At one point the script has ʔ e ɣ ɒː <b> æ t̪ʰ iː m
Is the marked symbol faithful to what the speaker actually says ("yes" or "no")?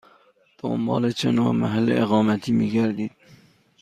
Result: no